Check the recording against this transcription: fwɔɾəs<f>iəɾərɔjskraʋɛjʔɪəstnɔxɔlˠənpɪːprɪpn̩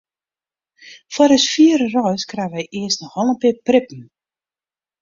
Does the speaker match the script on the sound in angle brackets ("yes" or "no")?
yes